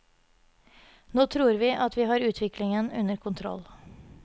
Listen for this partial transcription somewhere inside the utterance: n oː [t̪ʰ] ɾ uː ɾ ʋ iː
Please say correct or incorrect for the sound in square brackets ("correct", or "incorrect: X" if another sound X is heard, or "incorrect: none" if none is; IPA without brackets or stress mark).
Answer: correct